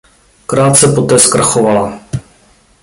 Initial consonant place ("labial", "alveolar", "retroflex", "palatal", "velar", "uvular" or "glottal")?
velar